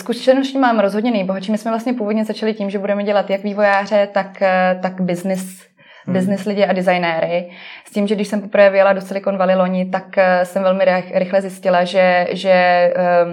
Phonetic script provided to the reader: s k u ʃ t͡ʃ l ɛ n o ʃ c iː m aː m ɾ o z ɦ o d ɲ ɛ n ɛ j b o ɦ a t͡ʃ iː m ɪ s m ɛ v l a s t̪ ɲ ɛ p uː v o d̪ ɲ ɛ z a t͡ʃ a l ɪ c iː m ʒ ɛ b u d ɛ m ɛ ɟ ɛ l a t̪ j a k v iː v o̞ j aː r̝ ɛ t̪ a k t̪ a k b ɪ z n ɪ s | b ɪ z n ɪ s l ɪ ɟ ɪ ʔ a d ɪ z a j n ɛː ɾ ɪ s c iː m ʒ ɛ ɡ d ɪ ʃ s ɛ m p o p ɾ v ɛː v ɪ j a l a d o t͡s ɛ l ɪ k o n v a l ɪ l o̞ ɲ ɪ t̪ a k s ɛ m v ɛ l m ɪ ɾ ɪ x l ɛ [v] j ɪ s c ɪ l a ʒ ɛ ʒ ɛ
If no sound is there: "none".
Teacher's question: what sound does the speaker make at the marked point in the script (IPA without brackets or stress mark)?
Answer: z